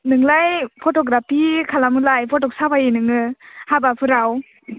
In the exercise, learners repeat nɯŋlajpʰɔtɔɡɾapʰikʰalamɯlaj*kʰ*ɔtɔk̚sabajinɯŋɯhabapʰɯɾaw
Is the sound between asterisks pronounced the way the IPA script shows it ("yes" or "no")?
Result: no